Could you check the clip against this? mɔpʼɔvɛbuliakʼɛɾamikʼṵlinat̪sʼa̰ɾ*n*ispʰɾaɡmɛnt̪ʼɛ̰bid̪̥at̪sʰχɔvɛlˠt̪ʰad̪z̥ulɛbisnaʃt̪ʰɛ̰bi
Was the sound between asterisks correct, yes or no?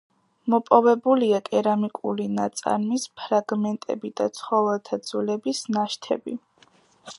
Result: no